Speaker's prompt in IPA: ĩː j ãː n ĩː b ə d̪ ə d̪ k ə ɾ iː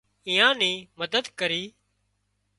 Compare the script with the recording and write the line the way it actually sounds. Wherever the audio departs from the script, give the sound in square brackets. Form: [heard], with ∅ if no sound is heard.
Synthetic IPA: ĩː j ãː n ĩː [m] ə d̪ ə d̪ k ə ɾ iː